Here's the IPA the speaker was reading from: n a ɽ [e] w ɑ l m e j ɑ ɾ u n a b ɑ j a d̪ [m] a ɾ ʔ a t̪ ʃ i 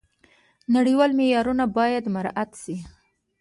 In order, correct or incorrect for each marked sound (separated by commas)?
incorrect, correct